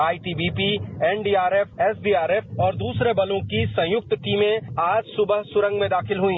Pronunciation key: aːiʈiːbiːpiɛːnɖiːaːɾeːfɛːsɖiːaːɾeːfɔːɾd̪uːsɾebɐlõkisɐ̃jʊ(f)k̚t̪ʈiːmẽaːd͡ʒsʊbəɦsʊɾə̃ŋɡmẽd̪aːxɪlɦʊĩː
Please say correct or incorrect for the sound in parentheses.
incorrect